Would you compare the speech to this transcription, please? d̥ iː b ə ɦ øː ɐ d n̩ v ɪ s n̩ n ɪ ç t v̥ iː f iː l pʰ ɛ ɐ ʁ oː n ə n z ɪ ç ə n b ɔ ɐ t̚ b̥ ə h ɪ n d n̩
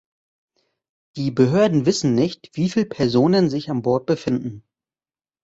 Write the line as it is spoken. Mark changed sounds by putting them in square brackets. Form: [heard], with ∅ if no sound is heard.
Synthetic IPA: d̥ iː b ə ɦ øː ɐ d n̩ v ɪ s n̩ n ɪ ç t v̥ iː f iː l pʰ ɛ ɐ [z] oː n ə n z ɪ ç [a] n b ɔ ɐ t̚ b̥ ə [f] ɪ n d n̩